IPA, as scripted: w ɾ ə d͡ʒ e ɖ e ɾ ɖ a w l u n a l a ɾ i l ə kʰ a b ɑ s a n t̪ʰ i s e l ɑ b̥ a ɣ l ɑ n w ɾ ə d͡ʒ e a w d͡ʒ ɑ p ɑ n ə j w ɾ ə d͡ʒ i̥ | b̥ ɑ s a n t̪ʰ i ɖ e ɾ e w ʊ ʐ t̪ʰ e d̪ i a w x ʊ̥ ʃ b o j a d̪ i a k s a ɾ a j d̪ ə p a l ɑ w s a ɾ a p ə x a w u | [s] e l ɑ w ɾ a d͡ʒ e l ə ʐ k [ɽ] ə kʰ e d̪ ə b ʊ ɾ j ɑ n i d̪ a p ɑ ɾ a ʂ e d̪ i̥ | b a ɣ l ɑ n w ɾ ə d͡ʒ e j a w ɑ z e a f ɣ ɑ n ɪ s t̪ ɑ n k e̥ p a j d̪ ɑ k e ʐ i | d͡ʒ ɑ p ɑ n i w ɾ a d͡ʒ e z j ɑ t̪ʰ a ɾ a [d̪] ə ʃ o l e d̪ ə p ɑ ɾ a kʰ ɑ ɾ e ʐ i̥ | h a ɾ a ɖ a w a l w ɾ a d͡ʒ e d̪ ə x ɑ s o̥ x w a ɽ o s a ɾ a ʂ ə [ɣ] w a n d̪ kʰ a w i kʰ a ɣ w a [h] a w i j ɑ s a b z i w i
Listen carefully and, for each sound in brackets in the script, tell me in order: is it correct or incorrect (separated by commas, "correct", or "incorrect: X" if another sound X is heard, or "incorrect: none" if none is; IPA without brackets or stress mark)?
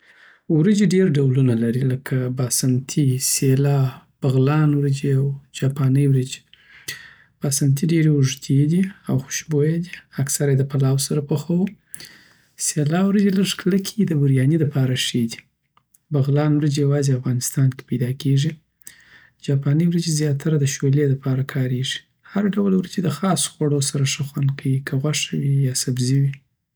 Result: correct, incorrect: l, correct, incorrect: x, incorrect: ʂ